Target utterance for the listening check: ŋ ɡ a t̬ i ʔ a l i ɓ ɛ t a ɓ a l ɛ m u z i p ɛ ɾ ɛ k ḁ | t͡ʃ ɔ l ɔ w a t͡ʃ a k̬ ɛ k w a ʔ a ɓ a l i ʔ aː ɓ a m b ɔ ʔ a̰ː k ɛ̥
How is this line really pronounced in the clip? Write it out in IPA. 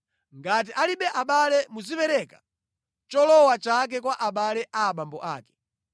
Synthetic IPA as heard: ŋ ɡ a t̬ i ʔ a l i ɓ ɛ ʔ a ɓ a l ɛ m u z i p ɛ ɾ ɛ k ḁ | t͡ʃ ɔ l ɔ w a t͡ʃ a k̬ ɛ k w a ʔ a ɓ a l ɛ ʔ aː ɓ a m b ɔ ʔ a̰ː k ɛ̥

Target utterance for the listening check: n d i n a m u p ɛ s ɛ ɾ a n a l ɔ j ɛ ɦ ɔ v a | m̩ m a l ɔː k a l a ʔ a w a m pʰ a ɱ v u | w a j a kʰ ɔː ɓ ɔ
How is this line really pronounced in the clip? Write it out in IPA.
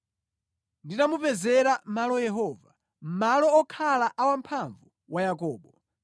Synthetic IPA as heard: n d i n a m u p ɛ z ɛ ɾ a m a l ɔ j ɛ ɦ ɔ v a | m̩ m a l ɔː kʰ a l a ʔ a w a m pʰ a ɱ v u | w a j a k ɔː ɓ ɔ

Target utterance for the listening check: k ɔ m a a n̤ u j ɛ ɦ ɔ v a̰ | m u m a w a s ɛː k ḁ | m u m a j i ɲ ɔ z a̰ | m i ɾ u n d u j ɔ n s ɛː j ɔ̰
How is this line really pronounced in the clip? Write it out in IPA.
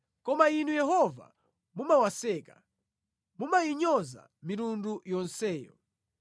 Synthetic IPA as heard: k ɔ m a i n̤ u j ɛ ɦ ɔ v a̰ | m u m a w a s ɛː k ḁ | m u m a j i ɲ ɔ z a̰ | m i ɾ u n d u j ɔ n s ɛː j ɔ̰

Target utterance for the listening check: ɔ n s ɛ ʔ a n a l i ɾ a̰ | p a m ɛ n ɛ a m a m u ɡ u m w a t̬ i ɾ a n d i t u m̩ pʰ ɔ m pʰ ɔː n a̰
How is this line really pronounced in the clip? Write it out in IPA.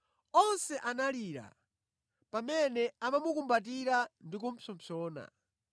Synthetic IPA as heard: ɔ n s ɛ ʔ a n a l i ɾ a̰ | p a m ɛ n ɛ a m a m u k u m b a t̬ i ɾ a n d i k u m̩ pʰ ɔ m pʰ ɔː n a̰

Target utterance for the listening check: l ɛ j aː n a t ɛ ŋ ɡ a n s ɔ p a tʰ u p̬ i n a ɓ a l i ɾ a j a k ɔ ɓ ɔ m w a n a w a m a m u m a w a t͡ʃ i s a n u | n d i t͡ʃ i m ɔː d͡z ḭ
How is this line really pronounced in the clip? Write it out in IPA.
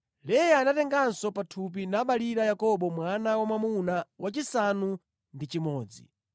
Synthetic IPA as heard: l ɛ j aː n a t ɛ ŋ ɡ a n s ɔ p a tʰ u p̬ i n a ɓ a l i ɾ a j a k ɔ ɓ ɔ m w a n a w a m a m u n a w a t͡ʃ i s a n u | n d i t͡ʃ i m ɔː d͡z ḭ

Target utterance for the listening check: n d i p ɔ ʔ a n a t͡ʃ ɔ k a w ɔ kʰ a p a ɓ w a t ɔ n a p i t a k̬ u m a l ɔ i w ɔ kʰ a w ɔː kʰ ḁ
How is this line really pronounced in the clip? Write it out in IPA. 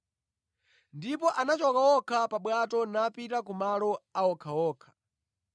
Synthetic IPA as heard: n d i p ɔ ʔ a n a t͡ʃ ɔ k a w ɔ kʰ a p a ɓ w a t ɔ n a p i t a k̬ u m a l ɔ a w ɔ kʰ a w ɔː kʰ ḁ

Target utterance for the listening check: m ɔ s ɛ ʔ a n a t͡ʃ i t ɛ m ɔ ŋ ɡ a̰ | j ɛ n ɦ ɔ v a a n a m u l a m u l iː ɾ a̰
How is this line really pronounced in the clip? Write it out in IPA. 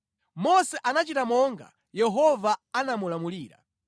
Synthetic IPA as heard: m ɔ s ɛ ʔ a n a t͡ʃ i t a m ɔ ŋ ɡ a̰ | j ɛ ɦ ɔ v a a n a m u l a m u l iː ɾ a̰

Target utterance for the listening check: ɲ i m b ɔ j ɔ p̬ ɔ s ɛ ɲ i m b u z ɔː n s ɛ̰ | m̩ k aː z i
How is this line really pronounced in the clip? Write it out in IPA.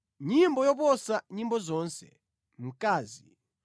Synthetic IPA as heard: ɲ i m b ɔ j ɔ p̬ ɔ s a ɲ i m b ɔ z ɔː n s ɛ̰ | m̩ k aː z i

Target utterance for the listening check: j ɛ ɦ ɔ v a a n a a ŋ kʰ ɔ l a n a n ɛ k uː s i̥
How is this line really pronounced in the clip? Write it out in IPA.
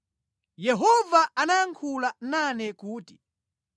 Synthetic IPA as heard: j ɛ ɦ ɔ v a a n a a ŋ kʰ u l a n a n ɛ k uː t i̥

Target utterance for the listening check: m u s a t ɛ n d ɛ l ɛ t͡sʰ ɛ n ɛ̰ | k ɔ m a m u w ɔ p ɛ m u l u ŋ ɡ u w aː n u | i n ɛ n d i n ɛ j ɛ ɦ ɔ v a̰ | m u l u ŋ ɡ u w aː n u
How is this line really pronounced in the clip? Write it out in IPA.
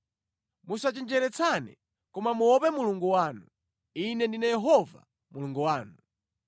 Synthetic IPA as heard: m u s a t͡ʃ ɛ n d͡ʒ ɛ ɾ ɛ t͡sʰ a n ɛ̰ | k ɔ m a m u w ɔ p ɛ m u l u ŋ ɡ u w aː n u | i n ɛ n d i n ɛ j ɛ ɦ ɔ v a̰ | m u l u ŋ ɡ u w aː n u

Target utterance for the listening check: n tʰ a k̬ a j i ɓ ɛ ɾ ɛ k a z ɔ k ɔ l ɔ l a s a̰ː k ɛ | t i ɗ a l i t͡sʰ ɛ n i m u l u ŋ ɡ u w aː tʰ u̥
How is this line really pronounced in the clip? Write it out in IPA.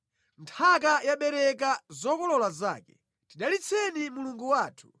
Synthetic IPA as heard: n tʰ a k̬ a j a ɓ ɛ ɾ ɛ k a z ɔ k ɔ l ɔ l a z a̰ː k ɛ | t i ɗ a l i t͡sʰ ɛ n i m u l u ŋ ɡ u w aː tʰ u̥

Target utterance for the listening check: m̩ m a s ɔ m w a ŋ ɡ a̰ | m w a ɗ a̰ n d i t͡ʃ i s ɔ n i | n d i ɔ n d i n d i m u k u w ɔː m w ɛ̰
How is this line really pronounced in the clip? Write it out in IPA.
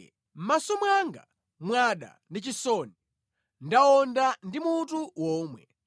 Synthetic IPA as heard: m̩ m a s ɔ m w a ŋ ɡ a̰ | m w a ɗ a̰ n d i t͡ʃ i s ɔ n i | n d a ɔ n d a n d i m u t u w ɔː m w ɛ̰

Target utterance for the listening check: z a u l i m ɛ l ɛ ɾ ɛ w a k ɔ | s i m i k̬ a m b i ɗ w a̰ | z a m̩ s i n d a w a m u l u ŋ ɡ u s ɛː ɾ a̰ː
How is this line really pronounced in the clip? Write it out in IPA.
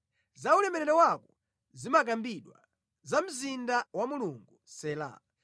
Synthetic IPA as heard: z a u l ɛ m ɛ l ɛ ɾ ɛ w a k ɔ | z i m a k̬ a m b i ɗ w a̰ | z a m̩ z i n d a w a m u l u ŋ ɡ u s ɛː l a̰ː

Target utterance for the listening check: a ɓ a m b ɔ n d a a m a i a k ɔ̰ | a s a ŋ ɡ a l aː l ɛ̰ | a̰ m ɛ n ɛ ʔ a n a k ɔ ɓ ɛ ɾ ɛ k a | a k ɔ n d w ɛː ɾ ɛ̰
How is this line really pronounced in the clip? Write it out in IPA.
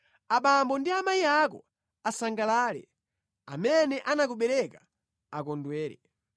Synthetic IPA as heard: a ɓ a m b ɔ n d i a m a i a k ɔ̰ | a s a ŋ ɡ a l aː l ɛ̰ | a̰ m ɛ n ɛ ʔ a n a k u ɓ ɛ ɾ ɛ k a | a k ɔ n d w ɛː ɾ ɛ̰

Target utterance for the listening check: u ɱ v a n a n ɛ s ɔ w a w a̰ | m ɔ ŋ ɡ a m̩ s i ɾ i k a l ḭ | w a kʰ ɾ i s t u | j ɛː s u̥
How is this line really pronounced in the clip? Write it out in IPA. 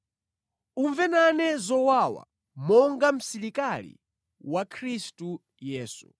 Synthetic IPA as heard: u ɱ v ɛ n a n ɛ z ɔ w a w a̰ | m ɔ ŋ ɡ a m̩ s i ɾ i k a l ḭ | w a kʰ ɾ i s t u | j ɛː s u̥

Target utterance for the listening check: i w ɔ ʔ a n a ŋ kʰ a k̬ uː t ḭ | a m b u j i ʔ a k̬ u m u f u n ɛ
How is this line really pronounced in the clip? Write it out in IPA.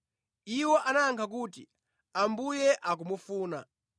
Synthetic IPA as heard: i w ɔ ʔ a n a ŋ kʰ a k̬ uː t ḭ | a m b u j ɛ ʔ a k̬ u m u f uː n a

